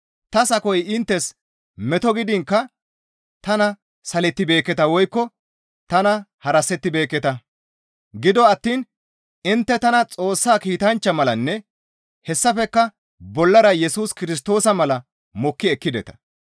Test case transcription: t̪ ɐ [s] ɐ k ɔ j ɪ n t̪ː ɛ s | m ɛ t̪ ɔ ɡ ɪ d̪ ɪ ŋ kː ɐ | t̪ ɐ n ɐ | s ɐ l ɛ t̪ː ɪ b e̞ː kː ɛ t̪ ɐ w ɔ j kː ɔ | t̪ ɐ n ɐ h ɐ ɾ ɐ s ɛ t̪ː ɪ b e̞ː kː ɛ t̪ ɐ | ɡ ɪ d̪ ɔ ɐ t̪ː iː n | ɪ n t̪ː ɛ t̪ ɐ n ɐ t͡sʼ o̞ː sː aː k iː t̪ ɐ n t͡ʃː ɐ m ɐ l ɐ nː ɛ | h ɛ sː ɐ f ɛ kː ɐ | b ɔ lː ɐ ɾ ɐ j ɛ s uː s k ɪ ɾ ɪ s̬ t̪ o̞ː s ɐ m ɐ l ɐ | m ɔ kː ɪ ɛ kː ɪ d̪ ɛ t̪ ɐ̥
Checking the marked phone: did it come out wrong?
no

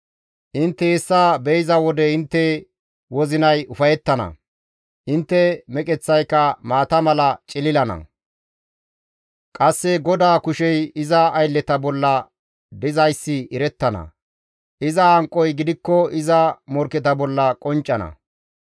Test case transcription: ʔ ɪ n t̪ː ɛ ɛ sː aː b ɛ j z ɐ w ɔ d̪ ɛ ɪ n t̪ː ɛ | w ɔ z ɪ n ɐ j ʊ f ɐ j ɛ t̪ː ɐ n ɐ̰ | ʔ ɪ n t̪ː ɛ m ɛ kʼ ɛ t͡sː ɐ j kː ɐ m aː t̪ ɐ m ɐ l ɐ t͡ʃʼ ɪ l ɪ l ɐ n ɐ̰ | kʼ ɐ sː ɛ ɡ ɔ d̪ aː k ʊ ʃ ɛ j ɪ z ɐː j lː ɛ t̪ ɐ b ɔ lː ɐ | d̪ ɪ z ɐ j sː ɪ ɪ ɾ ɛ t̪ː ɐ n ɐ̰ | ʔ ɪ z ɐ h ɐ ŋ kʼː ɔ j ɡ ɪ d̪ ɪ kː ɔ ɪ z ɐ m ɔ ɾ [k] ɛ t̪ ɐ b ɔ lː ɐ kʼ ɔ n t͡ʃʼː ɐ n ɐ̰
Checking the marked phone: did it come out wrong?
no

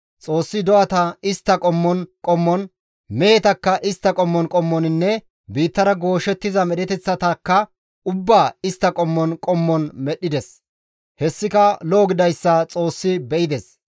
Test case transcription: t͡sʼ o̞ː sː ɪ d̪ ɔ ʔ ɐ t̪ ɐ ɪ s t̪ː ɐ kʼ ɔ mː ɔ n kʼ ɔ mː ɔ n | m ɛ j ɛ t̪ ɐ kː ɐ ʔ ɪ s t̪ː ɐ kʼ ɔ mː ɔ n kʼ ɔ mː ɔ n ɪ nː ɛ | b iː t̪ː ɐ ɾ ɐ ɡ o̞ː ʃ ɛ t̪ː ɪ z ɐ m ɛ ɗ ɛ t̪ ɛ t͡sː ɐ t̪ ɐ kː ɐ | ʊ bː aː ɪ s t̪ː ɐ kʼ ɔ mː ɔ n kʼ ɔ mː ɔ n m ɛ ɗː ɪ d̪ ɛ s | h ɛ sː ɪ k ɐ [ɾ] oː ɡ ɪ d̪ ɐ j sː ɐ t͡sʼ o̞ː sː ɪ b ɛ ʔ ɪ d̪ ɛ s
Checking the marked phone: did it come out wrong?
yes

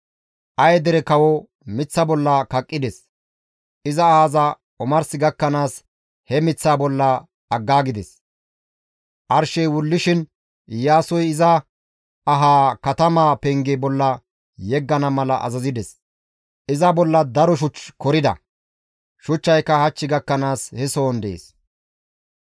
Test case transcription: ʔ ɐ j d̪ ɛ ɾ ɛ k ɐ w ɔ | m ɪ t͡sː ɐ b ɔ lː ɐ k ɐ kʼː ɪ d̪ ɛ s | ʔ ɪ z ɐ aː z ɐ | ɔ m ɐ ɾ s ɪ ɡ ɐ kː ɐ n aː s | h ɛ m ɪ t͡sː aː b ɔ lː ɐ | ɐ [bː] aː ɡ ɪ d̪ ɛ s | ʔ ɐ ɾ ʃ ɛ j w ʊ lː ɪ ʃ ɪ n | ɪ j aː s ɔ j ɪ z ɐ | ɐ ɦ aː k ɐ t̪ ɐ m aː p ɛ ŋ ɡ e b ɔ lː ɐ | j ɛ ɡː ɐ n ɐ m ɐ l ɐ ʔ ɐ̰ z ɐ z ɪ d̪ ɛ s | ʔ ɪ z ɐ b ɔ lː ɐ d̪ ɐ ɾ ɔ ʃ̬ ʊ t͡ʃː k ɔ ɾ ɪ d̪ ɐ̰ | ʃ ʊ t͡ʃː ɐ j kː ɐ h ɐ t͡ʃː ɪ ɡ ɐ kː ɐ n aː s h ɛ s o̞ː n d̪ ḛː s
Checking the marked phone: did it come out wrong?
yes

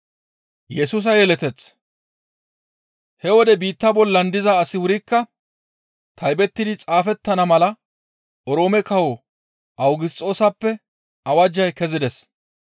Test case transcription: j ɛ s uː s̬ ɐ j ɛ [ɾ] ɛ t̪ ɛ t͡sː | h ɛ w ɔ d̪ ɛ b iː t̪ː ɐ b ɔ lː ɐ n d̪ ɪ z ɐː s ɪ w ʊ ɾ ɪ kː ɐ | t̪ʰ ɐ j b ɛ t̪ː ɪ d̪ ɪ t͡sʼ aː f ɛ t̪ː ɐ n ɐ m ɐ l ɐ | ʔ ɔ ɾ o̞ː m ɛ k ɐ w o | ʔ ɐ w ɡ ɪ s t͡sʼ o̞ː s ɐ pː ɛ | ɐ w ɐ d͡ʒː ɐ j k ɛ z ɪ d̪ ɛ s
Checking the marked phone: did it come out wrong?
yes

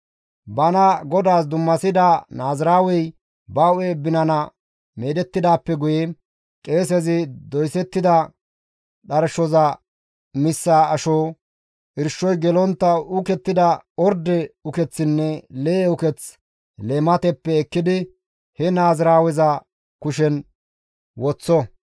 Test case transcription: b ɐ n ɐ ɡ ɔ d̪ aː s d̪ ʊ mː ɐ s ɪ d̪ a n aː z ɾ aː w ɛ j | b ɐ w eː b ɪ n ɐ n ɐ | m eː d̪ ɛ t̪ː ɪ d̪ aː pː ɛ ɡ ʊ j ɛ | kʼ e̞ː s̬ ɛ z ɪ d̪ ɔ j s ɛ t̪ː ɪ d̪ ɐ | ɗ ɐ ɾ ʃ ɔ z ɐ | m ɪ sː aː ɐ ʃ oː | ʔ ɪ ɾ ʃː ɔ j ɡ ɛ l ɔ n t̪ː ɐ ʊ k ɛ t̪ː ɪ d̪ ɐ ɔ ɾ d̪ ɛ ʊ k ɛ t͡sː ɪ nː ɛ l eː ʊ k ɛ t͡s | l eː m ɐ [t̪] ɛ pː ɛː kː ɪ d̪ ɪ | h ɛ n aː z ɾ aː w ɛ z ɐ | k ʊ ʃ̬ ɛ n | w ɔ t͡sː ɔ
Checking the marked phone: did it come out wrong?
no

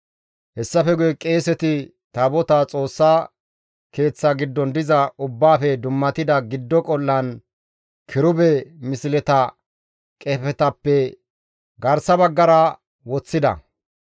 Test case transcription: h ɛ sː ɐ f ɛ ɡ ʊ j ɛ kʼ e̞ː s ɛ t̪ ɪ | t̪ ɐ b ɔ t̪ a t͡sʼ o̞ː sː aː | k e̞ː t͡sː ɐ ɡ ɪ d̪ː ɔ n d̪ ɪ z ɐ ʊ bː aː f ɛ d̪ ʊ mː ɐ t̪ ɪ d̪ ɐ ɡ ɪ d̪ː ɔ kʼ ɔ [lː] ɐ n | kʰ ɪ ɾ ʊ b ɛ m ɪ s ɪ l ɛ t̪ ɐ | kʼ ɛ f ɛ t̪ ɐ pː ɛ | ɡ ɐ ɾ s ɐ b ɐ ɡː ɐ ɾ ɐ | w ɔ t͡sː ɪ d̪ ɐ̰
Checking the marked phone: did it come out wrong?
no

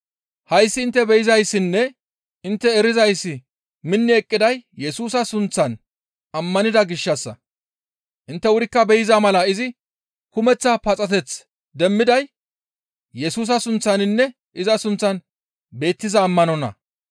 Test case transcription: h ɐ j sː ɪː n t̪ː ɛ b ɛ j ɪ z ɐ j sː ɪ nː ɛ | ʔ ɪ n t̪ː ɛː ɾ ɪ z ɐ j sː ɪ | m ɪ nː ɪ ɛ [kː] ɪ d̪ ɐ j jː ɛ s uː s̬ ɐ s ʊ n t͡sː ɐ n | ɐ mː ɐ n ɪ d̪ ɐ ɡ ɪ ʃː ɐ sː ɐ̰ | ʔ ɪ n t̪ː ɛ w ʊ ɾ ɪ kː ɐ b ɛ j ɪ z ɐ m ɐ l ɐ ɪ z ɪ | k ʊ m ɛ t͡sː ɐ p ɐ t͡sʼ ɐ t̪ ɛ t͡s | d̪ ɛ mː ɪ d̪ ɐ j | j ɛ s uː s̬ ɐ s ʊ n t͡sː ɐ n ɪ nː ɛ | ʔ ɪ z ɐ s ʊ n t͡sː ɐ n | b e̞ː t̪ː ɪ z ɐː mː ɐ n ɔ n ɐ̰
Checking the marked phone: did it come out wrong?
yes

